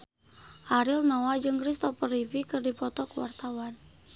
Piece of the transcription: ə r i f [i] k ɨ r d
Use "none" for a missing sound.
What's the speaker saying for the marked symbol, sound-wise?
i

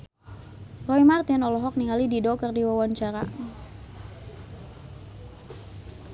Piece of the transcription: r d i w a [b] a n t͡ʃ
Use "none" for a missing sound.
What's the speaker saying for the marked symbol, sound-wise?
w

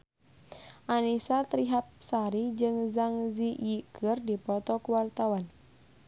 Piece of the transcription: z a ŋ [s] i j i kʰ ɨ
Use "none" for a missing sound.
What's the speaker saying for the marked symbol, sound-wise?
z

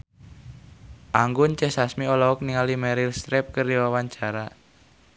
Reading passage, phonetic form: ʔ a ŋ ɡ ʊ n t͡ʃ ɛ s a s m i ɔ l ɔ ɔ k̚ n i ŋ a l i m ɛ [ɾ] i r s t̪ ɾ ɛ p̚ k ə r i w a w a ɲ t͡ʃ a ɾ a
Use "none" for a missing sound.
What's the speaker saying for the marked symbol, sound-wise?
ɾ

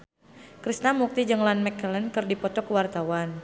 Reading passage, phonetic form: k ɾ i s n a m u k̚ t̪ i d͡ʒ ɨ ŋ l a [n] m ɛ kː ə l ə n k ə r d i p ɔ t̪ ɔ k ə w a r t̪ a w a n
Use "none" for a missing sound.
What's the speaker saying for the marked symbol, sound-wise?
n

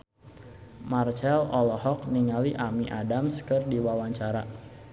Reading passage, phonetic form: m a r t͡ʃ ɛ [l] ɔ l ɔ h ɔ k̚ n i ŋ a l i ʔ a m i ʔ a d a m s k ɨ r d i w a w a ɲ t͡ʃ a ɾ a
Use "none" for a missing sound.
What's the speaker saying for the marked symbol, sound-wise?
l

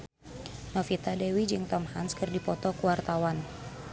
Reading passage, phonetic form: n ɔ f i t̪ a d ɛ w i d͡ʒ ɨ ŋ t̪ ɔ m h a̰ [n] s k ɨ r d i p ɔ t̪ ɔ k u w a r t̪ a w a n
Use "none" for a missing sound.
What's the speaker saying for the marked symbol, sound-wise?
n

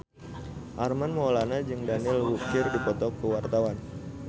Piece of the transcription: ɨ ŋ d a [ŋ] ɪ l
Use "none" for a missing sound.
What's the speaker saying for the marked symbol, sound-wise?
n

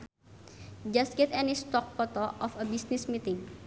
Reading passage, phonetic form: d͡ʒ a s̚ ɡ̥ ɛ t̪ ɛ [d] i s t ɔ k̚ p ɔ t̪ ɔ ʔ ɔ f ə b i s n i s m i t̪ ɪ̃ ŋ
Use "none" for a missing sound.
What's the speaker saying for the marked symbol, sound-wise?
n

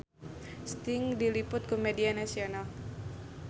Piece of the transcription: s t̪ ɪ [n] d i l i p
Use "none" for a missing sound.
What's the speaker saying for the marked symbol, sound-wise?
ŋ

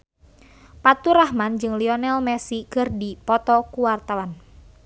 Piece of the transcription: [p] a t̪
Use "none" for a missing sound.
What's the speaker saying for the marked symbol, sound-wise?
p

